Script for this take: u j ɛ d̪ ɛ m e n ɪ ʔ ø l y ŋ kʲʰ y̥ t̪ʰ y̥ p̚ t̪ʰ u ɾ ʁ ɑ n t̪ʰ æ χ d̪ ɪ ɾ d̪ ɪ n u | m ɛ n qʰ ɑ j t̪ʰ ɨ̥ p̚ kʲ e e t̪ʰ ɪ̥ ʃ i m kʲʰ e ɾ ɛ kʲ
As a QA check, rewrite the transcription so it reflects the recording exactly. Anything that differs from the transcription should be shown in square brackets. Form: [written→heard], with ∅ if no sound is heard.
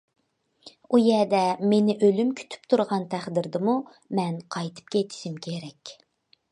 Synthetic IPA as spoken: u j ɛ d̪ ɛ m e n ɪ ʔ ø l y [ŋ→m] kʲʰ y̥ t̪ʰ y̥ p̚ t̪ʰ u ɾ ʁ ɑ n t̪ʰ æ χ d̪ ɪ ɾ d̪ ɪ [n→m] u | m ɛ n qʰ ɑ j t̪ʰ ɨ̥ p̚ kʲ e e t̪ʰ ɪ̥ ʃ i m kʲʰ e ɾ ɛ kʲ